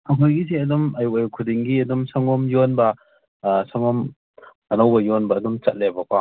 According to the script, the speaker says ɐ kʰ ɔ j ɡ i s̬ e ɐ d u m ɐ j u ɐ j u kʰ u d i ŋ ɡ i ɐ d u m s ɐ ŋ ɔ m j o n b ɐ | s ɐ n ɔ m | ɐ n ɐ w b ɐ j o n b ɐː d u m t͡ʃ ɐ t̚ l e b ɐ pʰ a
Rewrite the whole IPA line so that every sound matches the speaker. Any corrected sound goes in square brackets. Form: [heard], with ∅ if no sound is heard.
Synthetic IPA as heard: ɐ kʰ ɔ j ɡ i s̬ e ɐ d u m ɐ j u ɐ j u kʰ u d i ŋ ɡ i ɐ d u m s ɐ ŋ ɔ m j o n b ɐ | s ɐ [ŋ] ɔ m | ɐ n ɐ w b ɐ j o n b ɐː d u m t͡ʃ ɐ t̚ l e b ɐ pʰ a